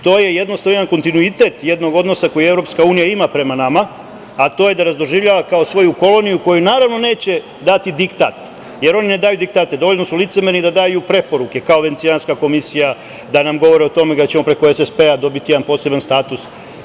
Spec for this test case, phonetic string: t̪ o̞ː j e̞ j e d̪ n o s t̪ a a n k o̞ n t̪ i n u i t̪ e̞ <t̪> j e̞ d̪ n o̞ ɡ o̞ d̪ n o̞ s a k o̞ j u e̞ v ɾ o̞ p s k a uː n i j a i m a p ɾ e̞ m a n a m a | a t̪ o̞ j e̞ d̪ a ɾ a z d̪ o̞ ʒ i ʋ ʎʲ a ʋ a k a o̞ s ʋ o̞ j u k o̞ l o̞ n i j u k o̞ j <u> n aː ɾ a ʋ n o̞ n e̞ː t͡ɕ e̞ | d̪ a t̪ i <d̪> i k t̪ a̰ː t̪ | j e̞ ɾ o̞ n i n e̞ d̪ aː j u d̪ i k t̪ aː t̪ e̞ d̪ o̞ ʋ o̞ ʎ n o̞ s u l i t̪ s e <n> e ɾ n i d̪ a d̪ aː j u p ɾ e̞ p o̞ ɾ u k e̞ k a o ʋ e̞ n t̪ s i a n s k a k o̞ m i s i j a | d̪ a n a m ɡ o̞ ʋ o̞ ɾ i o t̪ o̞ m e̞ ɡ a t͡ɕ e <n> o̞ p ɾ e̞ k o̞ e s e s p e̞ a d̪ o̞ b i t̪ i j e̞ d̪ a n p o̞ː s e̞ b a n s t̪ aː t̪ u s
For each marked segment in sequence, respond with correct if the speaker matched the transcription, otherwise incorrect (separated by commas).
correct, correct, correct, incorrect, incorrect